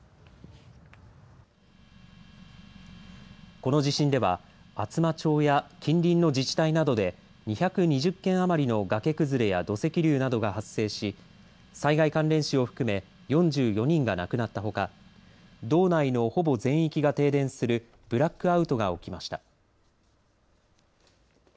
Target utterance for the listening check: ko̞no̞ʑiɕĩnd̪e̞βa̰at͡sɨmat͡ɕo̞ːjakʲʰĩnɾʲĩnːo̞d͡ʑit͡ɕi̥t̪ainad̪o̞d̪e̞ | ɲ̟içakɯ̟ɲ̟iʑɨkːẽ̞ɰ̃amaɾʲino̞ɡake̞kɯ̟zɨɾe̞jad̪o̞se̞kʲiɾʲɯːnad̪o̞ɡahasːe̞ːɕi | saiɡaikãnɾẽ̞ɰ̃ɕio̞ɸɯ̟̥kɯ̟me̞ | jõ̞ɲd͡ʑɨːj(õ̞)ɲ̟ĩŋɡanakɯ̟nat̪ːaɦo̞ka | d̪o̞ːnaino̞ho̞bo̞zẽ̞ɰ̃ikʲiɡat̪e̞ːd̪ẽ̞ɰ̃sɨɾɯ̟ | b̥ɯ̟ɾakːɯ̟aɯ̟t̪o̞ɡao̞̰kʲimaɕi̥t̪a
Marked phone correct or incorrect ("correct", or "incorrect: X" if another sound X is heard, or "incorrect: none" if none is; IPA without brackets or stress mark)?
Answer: incorrect: o̞